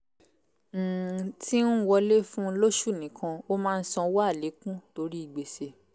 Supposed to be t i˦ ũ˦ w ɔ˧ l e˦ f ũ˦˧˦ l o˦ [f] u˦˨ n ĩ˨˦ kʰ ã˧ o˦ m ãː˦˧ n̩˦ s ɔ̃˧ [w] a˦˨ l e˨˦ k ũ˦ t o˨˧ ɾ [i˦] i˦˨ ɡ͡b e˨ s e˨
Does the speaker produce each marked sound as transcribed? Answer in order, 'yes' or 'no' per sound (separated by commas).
no, yes, yes